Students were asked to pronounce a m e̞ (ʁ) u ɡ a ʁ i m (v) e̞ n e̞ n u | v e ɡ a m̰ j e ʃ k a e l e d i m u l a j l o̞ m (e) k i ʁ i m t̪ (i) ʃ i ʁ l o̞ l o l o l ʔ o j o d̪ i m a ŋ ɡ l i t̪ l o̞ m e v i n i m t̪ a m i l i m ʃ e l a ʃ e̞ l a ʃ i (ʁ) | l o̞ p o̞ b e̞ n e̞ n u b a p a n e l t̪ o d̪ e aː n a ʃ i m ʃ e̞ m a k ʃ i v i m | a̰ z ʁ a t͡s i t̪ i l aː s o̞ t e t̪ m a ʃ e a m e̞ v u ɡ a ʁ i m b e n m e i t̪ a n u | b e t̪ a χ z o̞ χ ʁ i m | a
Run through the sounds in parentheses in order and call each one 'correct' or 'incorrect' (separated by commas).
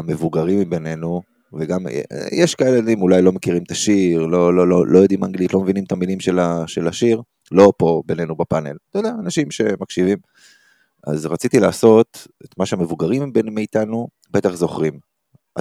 incorrect, incorrect, correct, incorrect, correct